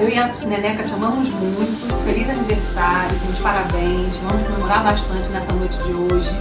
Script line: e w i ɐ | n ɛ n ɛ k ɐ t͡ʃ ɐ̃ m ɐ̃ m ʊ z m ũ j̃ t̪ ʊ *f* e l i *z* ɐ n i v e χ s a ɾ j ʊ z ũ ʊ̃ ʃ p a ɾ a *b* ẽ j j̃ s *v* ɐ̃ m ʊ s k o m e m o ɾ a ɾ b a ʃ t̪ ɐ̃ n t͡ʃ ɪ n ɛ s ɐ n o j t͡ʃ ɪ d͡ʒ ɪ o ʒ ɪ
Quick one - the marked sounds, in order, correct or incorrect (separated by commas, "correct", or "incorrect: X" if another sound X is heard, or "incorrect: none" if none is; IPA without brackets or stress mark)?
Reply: correct, correct, correct, correct